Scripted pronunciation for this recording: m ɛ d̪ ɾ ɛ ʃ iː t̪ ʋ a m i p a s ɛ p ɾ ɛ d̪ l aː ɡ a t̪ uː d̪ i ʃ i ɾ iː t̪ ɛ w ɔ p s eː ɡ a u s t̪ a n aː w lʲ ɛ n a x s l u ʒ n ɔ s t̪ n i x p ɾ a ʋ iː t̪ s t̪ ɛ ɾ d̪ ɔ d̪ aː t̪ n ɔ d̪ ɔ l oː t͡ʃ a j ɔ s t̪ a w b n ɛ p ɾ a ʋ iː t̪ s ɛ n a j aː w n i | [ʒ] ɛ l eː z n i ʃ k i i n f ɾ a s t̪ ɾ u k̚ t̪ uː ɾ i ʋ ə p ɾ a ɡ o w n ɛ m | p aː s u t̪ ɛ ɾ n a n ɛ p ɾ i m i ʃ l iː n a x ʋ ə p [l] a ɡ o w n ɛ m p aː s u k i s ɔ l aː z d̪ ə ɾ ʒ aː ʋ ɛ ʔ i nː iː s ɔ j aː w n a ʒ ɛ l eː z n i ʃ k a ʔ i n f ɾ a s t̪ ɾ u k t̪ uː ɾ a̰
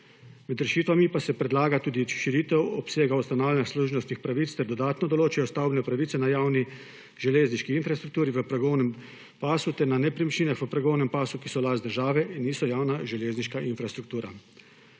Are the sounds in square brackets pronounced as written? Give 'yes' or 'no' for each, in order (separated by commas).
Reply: yes, no